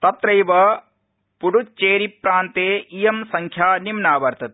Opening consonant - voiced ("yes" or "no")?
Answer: no